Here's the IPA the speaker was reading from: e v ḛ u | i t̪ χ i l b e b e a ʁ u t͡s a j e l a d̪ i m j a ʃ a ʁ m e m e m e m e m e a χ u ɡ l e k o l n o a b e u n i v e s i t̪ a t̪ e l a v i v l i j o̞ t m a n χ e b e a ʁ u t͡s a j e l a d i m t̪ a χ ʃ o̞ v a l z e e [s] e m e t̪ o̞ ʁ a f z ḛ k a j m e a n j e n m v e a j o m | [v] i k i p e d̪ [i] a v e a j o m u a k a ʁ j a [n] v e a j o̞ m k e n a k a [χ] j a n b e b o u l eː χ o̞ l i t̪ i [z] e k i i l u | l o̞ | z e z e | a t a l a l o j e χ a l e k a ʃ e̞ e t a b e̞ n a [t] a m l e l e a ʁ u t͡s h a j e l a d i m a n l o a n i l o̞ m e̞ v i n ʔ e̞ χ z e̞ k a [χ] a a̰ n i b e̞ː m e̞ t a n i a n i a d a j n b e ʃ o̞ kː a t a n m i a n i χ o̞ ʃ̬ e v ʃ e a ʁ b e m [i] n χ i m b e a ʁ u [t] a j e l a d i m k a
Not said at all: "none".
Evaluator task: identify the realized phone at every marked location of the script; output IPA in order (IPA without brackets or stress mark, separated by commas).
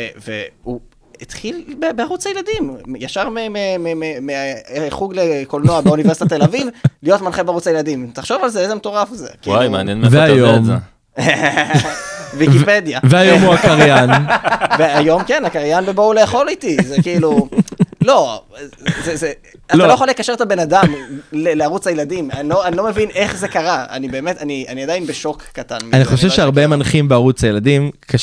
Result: z, v, j, n, ʁ, z, d, ʁ, a, t͡s